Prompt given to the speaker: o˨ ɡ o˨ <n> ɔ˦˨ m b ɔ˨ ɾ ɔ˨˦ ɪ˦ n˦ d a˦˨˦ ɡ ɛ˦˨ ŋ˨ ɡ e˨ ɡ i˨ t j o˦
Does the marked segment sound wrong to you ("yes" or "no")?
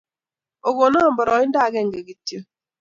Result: no